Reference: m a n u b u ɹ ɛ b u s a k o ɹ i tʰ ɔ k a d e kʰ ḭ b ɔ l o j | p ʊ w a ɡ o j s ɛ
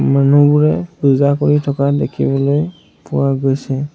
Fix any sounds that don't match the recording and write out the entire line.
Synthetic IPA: m a n u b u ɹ ɛ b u z a k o ɹ i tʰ ɔ k a d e kʰ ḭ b ɔ l o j | p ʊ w a ɡ o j s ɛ